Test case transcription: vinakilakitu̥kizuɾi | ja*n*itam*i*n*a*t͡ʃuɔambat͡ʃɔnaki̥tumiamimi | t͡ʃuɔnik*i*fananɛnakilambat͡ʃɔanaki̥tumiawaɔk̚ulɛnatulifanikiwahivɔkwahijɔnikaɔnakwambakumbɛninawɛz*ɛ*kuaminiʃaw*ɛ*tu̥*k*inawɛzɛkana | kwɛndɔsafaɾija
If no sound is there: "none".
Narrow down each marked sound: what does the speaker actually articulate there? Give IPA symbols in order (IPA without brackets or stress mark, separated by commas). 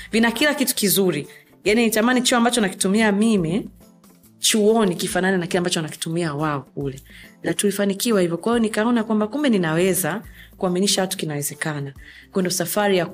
n, a, i, i, a, a, k